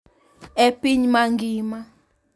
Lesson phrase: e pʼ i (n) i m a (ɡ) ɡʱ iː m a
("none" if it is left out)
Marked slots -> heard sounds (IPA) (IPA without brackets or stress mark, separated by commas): ɲ, ŋ